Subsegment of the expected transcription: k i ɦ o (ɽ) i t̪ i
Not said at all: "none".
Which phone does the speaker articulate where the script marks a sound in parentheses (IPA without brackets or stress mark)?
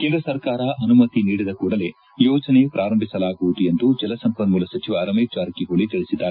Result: ɭ